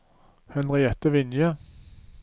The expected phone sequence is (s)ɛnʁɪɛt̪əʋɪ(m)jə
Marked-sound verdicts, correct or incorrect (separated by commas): incorrect, incorrect